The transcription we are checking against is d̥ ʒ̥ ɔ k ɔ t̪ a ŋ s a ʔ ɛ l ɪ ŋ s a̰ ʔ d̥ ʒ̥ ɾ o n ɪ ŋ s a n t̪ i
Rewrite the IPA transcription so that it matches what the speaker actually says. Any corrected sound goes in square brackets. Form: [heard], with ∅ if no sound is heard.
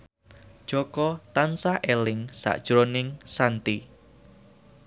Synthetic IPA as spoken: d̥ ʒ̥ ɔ k ɔ t̪ a [n] s a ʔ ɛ l ɪ ŋ s a̰ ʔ d̥ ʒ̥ ɾ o n ɪ ŋ s a n t̪ i